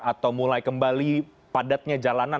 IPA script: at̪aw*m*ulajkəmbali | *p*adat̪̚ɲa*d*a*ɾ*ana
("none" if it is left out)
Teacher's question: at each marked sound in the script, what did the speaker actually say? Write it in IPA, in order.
m, p, d͡ʒ, l

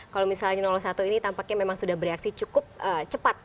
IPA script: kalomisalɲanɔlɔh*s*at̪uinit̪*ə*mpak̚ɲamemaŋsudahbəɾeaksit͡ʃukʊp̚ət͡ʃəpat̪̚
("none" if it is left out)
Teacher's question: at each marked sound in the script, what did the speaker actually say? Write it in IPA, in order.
s, a

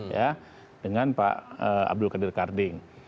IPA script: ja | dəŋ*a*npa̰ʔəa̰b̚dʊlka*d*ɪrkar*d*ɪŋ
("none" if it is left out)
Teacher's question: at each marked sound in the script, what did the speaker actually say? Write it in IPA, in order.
a, d, d

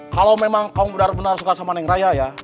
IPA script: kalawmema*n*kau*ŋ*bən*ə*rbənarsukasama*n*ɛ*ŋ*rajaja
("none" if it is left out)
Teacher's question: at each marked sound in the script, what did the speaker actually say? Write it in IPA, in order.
ŋ, ŋ, a, n, ŋ

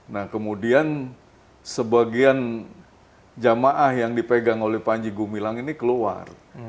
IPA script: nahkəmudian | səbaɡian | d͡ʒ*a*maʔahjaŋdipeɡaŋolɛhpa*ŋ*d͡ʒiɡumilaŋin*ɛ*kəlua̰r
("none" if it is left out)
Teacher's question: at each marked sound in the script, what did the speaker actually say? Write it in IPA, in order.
a, ɲ, i

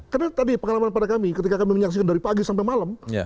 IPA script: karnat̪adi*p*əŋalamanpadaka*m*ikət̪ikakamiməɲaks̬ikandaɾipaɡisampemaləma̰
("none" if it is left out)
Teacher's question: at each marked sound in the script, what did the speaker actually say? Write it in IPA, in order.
p, m

